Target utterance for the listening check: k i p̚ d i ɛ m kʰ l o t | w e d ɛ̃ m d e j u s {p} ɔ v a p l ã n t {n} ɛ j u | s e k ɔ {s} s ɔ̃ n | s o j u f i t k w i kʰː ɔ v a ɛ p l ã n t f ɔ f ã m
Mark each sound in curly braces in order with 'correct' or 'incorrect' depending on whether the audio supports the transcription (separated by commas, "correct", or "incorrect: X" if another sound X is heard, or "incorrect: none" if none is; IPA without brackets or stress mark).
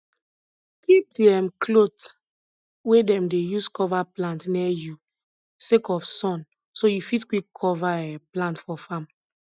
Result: incorrect: k, correct, incorrect: f